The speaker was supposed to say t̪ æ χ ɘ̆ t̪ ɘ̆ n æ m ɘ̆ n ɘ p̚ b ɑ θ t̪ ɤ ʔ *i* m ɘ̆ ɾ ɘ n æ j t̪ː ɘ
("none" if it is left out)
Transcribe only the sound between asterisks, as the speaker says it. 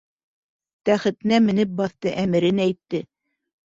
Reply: æ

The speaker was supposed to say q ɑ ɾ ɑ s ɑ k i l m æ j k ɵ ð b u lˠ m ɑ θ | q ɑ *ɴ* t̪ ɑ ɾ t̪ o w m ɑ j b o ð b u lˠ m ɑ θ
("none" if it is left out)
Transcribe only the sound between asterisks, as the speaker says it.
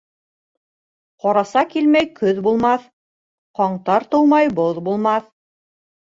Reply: ɴ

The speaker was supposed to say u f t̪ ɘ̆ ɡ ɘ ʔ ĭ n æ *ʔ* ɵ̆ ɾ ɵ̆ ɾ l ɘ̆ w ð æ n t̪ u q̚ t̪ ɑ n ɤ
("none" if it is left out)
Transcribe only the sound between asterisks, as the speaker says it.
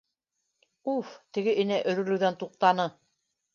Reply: ʔ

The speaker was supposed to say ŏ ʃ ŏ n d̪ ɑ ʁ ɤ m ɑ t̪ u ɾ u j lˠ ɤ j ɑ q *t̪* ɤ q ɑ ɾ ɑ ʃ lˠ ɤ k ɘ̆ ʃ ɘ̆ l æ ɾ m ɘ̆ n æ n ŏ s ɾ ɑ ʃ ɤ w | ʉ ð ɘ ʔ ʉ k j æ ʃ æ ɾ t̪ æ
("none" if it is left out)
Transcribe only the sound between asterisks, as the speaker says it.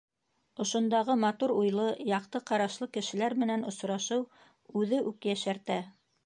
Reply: t̪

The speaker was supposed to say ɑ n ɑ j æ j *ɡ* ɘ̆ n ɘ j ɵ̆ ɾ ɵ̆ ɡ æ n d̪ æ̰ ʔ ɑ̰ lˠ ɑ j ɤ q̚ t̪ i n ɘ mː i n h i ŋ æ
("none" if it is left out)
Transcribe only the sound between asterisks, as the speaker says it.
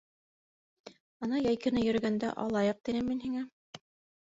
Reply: k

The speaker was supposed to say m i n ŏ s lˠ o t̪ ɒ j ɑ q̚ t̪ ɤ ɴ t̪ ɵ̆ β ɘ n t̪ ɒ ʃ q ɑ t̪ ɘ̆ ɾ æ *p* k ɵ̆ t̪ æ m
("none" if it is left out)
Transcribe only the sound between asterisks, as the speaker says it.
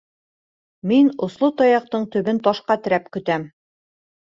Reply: p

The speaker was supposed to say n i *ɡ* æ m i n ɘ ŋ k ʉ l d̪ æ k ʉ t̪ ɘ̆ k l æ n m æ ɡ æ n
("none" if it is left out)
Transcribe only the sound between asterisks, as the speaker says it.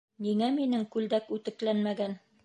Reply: ŋ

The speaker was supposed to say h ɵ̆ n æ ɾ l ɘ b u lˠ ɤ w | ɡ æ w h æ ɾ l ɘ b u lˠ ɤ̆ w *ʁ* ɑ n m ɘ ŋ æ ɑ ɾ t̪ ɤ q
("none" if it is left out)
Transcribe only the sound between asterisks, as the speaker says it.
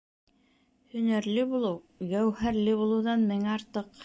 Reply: ð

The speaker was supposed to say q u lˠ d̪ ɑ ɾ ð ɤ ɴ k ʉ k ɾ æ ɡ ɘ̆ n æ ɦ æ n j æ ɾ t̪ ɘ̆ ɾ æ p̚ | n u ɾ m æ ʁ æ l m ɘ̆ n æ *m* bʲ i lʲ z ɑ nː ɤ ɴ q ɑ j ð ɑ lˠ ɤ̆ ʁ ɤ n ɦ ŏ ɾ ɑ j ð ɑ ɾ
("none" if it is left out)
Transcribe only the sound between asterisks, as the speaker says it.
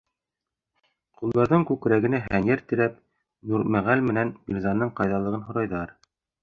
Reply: n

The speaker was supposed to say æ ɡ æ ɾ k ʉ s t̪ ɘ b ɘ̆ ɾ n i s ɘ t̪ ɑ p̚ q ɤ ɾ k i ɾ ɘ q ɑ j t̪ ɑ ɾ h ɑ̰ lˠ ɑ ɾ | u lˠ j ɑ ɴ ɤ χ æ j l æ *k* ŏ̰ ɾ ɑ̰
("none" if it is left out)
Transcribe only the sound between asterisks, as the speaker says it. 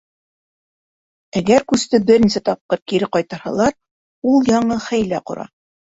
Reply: q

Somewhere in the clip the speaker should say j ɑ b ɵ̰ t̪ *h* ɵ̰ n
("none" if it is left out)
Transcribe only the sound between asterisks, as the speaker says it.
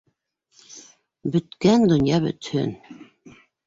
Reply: h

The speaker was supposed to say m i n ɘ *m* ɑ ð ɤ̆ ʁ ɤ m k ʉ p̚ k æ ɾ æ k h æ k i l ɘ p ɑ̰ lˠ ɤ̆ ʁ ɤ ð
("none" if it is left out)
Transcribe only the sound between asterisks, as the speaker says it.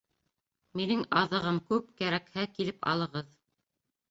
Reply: ŋ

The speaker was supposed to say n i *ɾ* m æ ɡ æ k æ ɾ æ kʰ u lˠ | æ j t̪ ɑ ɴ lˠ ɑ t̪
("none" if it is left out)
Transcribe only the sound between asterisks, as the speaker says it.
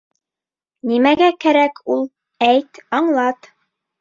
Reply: none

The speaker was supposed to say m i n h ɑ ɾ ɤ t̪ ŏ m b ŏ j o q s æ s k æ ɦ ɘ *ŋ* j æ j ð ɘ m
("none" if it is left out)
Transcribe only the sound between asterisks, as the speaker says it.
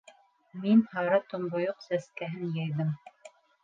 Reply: n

